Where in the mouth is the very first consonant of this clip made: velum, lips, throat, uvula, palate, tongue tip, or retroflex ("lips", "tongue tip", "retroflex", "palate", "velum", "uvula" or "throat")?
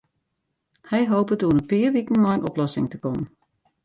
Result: throat